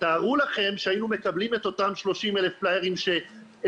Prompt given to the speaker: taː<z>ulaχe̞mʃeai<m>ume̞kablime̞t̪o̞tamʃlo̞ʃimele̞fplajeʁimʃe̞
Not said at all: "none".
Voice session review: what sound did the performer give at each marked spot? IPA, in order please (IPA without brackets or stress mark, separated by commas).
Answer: ʁ, n